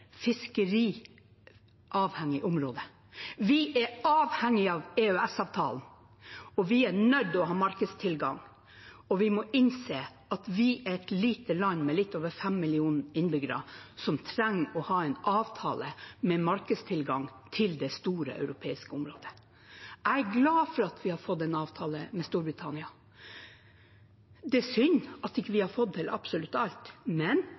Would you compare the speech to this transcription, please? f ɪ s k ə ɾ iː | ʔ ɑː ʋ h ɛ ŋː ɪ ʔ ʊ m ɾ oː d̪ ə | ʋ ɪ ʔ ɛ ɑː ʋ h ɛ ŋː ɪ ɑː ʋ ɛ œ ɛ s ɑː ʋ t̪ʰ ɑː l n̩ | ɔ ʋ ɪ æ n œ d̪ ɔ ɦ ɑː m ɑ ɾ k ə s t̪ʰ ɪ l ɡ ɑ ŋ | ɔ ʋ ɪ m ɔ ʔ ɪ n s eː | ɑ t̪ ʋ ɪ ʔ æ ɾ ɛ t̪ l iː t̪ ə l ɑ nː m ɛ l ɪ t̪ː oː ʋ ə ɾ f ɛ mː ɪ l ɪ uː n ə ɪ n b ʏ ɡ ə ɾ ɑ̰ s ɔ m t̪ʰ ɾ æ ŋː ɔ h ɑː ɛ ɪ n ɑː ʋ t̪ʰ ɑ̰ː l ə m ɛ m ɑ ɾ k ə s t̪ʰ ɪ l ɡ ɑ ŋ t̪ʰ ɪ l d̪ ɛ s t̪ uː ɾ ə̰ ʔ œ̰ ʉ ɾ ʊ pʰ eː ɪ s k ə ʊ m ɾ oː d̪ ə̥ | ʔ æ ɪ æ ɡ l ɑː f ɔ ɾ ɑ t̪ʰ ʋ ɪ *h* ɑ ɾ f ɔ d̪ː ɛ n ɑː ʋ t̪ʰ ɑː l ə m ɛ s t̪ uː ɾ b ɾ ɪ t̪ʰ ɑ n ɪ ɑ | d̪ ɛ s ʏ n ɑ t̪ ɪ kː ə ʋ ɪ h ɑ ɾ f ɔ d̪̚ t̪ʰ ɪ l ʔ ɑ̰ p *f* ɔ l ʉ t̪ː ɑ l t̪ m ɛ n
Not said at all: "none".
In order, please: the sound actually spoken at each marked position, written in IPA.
h, s

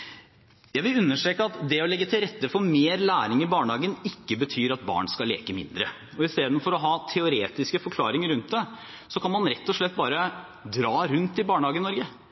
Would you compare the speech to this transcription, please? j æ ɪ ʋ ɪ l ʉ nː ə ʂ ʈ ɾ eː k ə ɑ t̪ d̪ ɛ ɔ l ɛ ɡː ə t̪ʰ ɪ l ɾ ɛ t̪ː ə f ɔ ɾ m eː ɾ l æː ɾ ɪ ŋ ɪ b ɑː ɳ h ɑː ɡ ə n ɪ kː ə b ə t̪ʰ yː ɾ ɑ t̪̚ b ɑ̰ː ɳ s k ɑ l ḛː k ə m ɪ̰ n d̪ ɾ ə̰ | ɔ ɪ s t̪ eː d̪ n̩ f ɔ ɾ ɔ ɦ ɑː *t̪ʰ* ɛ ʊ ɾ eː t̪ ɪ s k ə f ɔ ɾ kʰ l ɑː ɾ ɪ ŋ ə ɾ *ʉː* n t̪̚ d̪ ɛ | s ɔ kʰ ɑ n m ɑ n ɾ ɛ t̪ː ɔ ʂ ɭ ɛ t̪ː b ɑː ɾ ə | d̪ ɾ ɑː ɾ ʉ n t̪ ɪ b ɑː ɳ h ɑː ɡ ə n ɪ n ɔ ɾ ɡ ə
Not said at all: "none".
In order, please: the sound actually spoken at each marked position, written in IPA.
t̪ʰ, ʉ

